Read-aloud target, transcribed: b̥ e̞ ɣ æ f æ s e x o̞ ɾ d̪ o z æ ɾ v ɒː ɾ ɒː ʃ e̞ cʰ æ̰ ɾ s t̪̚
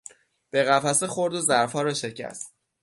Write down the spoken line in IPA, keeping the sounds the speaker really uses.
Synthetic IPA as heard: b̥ e̞ ɣ æ f æ s e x o̞ ɾ d̪ o z æ ɾ f ɒː ɾ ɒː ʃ e̞ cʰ æ̰ s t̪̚